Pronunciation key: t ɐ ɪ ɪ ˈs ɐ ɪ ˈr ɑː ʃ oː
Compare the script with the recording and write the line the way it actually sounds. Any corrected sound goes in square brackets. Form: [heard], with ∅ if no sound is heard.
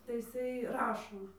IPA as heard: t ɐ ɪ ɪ ˈs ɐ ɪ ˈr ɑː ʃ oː